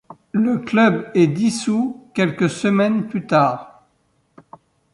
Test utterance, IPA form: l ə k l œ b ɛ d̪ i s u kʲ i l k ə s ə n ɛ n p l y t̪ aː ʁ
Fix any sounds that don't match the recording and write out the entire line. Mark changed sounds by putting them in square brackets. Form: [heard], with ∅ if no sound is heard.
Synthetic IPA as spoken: l ə k l œ b ɛ d̪ i s u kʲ [ɛ] l k ə s ə [m] ɛ n p l y t̪ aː ʁ

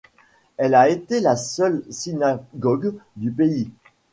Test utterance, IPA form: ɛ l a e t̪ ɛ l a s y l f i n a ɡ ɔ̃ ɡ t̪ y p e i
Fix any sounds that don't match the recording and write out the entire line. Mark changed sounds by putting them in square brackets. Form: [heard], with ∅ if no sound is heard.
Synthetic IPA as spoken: ɛ l a e t̪ [e] l a s [œ] l [s] i n a ɡ [ɔ] ɡ [d̪] y p e i

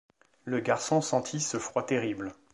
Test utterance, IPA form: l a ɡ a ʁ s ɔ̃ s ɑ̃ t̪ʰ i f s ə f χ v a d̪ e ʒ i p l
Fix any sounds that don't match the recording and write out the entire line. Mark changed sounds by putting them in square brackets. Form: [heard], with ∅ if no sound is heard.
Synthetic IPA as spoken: l [ə] ɡ a ʁ s ɔ̃ s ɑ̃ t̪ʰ i [∅] s ə f χ [w] a [t̪] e [ʁ] i [b] l

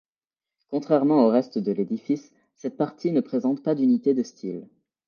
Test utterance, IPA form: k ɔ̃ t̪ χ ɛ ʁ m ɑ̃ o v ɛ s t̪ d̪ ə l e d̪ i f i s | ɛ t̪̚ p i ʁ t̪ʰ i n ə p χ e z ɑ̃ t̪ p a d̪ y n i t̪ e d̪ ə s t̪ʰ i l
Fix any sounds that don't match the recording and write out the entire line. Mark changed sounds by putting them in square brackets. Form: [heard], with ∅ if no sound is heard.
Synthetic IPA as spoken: k ɔ̃ t̪ χ ɛ ʁ m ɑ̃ o [ʁ] ɛ s t̪ d̪ ə l e d̪ i f i [sː] | ɛ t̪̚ p [a] ʁ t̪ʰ i n ə p χ e z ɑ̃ t̪ p a d̪ y n i t̪ e d̪ ə s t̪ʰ i l

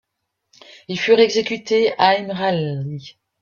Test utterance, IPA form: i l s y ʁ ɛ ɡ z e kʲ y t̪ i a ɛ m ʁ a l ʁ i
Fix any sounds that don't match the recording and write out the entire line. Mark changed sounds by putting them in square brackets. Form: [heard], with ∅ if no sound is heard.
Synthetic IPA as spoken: i l [f] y ʁ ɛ ɡ z e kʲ y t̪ [e] a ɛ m ʁ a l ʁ i

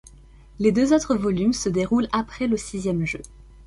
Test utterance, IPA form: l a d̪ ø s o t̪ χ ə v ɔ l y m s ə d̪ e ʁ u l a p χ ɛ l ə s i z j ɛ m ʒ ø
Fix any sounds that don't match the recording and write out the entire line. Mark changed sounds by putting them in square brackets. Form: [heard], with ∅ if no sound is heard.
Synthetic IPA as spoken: l [e] d̪ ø [z] o t̪ χ ə v ɔ l y m s ə d̪ e ʁ u l a p χ ɛ l ə s i z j ɛ m ʒ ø

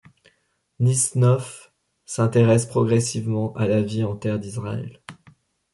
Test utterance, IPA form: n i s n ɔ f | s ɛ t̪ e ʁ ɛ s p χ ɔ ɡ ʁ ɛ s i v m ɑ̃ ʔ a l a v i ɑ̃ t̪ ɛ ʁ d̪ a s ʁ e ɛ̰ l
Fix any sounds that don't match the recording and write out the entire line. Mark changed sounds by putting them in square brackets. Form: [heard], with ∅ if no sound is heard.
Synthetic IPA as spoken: n i s n ɔ f | s [ɛ̃] t̪ e ʁ ɛ s p χ ɔ ɡ ʁ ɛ s i v m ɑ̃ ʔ a l a v i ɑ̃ t̪ ɛ ʁ d̪ [i] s ʁ [a] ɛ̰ l

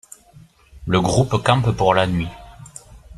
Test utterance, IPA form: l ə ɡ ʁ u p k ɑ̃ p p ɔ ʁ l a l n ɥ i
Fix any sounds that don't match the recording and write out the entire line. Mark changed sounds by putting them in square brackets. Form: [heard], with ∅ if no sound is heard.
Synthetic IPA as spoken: l ə ɡ ʁ u p k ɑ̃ p p [u] ʁ l a [∅] n ɥ i

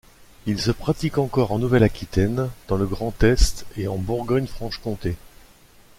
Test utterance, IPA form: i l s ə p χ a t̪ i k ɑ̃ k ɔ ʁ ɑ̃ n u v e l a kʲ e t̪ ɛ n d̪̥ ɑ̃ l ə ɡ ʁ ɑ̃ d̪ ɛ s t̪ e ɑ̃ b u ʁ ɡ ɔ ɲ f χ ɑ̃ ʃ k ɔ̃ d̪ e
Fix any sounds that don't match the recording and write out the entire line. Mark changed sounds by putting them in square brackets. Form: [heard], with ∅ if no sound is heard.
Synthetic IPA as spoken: i l s ə p χ a t̪ i k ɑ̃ k ɔ ʁ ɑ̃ n u v [ɛ] l a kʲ [i] t̪ ɛ n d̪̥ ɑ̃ l ə ɡ ʁ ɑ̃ [t̪] ɛ s t̪ e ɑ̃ b u ʁ ɡ ɔ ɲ f χ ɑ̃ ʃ k ɔ̃ [t̪] e

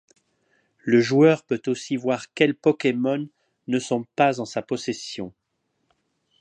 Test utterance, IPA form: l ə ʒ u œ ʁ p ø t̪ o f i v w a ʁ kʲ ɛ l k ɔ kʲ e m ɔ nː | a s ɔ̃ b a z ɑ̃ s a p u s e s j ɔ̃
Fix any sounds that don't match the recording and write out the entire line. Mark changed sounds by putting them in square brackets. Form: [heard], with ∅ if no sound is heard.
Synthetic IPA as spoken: l ə ʒ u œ ʁ p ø t̪ o [s] i v w a ʁ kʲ ɛ l [p] ɔ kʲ e m ɔ nː | [ə] s ɔ̃ [p] a z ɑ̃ s a p [ɔ] s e s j ɔ̃

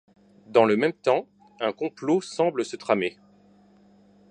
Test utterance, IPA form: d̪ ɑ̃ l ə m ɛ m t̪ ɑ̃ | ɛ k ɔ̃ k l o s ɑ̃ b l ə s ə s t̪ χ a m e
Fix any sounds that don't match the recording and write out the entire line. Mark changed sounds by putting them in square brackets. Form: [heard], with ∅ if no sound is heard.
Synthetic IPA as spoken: d̪ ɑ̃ l ə m ɛ m t̪ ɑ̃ | [ɛ̃] k ɔ̃ [p] l o s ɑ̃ b l ə s ə [∅] t̪ χ a m e

